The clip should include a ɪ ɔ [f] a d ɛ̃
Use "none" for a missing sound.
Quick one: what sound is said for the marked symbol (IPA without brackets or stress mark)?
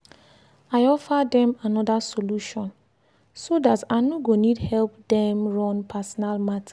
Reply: f